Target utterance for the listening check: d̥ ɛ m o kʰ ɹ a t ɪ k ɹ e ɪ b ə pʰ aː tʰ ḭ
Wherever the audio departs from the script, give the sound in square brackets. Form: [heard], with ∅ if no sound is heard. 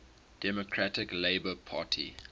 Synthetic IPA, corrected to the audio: d̥ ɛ m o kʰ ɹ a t ɪ k [l] e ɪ b ə pʰ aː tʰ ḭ